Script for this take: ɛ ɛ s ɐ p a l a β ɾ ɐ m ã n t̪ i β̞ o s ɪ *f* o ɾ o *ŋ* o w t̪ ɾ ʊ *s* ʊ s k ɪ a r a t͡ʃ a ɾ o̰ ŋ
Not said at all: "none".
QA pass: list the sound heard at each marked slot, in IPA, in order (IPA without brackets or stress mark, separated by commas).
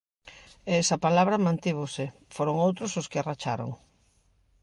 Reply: f, ŋ, s